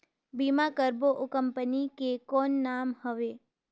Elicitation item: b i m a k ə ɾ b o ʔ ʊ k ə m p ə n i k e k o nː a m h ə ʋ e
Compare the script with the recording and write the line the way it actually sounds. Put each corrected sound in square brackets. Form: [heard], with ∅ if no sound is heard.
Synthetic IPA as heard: b i m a k ə ɾ b o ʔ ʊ k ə m p ə n i k e k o nː a m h ə ʋ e